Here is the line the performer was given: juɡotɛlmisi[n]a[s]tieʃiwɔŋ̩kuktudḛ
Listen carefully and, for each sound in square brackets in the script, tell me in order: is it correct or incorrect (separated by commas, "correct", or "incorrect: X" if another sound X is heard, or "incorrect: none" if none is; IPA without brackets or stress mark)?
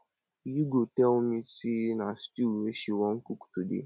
correct, correct